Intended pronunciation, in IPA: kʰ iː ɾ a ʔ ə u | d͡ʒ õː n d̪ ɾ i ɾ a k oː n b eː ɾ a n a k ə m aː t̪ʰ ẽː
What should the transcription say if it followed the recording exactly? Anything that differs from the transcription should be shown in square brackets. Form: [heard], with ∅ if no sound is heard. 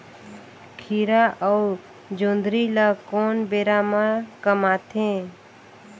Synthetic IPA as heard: kʰ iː ɾ a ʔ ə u | d͡ʒ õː n d̪ ɾ i [l] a k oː n b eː ɾ a [m] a k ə m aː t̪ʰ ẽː